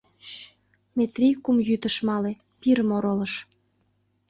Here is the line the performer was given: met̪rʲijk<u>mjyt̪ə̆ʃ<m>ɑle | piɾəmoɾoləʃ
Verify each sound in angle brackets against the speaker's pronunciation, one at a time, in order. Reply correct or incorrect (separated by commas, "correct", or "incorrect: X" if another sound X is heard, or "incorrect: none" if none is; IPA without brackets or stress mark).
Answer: correct, correct